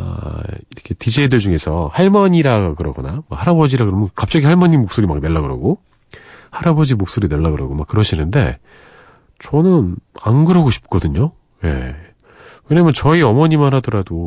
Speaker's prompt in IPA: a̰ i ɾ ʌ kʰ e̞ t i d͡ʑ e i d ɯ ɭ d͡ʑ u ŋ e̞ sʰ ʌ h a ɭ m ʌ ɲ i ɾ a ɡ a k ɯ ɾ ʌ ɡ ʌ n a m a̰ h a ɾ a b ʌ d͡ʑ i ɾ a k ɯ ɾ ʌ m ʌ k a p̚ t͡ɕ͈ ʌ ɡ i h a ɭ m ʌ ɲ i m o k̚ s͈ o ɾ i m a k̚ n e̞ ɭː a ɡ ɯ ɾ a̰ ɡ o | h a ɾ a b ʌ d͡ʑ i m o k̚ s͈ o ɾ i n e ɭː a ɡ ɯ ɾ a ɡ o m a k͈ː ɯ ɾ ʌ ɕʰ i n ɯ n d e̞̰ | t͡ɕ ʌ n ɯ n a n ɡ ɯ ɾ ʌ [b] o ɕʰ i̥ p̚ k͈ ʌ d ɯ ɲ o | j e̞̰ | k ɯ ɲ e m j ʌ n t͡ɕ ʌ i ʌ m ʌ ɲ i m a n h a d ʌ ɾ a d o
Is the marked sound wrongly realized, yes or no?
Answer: yes